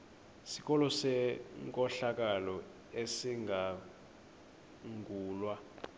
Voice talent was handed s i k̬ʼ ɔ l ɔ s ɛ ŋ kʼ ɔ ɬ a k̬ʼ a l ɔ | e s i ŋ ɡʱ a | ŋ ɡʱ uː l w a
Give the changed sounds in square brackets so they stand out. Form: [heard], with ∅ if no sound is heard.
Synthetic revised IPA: s i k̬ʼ ɔ l ɔ s ɛ ŋ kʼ ɔ ɬ a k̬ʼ a l ɔ | e s i ŋ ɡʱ a | ŋ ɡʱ uː l w a